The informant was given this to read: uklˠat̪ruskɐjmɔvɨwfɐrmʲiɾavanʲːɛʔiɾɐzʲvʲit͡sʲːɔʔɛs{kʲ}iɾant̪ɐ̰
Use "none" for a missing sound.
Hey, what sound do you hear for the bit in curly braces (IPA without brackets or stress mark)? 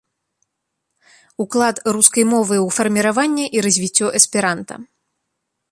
pʲ